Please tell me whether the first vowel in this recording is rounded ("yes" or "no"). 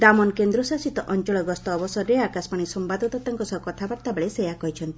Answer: no